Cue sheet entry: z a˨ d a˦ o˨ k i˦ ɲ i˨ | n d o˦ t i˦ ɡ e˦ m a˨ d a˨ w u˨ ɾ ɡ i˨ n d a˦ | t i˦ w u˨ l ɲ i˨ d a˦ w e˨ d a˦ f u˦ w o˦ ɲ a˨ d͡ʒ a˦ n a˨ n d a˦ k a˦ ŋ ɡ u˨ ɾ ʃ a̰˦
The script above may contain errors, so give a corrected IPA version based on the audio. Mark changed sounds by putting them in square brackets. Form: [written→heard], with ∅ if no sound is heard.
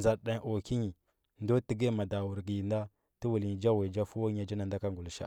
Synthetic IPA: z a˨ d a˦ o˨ k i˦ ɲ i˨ | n d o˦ t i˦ ɡ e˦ m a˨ d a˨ w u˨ ɾ ɡ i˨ n d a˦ | t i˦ w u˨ l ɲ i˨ [d→d͡ʒ] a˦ w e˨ [d→d͡ʒ] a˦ f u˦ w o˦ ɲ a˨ d͡ʒ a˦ n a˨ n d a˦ k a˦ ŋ ɡ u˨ [ɾ→l] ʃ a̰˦